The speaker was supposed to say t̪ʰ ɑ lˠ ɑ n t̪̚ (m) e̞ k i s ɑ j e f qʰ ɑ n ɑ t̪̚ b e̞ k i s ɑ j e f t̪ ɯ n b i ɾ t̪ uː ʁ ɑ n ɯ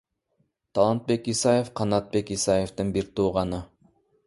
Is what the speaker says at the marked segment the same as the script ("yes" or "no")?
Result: no